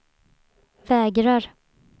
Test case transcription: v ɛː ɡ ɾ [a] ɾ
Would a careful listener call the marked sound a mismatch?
no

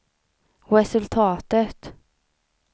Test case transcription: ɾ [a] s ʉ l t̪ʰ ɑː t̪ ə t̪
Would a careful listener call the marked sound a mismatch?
yes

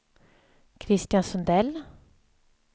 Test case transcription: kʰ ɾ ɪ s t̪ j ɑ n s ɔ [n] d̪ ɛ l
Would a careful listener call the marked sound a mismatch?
no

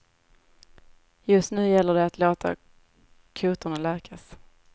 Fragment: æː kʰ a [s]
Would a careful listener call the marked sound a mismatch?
no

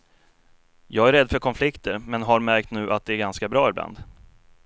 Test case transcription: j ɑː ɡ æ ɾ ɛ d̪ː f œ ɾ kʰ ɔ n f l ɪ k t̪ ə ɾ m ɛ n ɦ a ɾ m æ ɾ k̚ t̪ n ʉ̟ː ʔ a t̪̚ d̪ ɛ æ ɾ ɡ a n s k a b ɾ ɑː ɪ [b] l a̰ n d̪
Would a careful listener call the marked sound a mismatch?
no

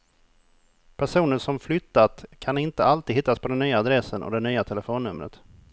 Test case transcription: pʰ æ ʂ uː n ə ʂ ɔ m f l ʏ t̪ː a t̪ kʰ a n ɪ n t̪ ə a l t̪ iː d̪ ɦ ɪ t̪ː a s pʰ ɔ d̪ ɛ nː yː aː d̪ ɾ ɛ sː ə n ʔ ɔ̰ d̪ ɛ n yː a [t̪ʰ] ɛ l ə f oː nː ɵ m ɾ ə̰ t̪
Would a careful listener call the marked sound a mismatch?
no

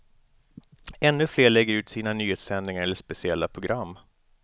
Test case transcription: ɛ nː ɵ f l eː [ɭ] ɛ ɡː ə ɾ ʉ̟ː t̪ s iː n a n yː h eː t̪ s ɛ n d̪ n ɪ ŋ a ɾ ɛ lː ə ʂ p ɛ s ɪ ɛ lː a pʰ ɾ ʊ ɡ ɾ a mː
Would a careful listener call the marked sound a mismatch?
no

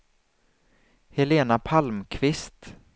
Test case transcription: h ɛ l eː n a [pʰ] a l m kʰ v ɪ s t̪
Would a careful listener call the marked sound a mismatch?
no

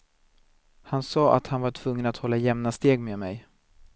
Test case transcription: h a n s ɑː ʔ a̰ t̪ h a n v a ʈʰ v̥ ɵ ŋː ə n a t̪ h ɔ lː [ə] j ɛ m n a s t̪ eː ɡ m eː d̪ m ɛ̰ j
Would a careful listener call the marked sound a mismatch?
yes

